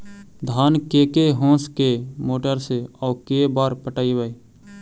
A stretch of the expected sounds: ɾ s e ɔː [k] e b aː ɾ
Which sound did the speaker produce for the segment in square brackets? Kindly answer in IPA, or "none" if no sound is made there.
k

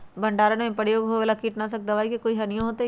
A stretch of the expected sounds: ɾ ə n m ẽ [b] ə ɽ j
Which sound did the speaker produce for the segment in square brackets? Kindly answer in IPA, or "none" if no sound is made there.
p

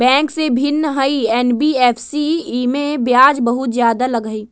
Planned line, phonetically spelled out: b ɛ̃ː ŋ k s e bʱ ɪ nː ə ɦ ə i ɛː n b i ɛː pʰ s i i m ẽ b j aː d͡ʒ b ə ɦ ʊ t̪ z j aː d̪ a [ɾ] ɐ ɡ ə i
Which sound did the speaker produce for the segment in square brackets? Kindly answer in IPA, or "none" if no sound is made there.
l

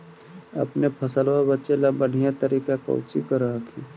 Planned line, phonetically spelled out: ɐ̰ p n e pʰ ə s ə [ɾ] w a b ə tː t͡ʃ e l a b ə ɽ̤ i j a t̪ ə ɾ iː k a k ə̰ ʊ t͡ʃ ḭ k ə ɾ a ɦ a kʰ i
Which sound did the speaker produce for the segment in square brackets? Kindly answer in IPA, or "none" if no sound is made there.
l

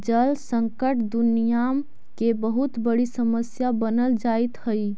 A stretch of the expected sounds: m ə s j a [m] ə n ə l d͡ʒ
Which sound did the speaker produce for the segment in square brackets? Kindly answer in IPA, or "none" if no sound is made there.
b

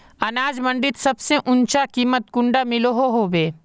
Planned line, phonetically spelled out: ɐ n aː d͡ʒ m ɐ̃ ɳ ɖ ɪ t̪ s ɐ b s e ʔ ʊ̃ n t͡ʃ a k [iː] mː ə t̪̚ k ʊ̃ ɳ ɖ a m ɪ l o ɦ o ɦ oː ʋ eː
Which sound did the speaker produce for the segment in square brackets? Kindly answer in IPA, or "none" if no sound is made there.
iː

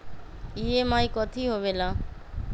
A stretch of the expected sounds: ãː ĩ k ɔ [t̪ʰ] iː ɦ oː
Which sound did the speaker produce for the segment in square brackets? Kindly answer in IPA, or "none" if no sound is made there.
t̪ʰ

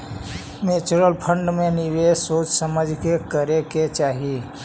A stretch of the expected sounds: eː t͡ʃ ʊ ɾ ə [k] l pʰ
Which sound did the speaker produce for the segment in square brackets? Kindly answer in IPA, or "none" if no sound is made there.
none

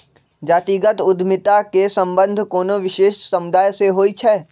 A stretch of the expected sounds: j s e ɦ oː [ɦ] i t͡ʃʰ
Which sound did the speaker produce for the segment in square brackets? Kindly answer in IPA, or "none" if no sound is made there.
none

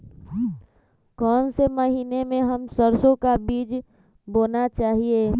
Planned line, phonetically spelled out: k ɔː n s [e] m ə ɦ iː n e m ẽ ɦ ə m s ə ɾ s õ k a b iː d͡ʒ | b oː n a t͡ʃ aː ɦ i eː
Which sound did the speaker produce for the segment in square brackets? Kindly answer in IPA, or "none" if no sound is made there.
e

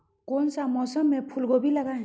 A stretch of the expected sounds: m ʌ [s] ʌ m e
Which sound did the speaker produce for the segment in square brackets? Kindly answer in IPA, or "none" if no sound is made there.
s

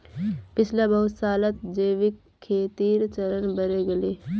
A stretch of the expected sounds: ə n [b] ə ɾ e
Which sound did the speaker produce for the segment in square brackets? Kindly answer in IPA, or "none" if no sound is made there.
b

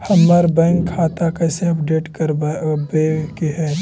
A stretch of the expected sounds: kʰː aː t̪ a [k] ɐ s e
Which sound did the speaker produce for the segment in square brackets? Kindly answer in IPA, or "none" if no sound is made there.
k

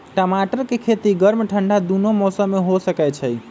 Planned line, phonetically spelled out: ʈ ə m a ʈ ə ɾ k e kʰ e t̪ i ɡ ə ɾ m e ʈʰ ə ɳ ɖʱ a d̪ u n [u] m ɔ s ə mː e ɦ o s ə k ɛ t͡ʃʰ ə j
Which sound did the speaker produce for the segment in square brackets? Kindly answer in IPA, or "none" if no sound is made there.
o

